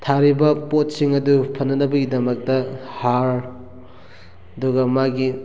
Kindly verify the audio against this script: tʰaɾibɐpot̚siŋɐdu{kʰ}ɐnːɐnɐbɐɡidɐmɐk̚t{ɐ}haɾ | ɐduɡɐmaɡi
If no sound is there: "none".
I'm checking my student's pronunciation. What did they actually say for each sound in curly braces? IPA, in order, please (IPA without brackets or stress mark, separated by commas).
pʰ, ɐ